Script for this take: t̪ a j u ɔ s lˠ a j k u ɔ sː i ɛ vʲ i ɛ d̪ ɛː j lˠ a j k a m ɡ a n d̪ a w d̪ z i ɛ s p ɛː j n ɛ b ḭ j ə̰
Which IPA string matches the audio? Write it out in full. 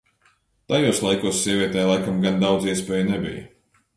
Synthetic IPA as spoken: t̪ a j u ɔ s lˠ a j k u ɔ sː i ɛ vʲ i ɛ t̪ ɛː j lˠ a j k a m ɡ a n d̪ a w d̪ z i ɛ s p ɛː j n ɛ b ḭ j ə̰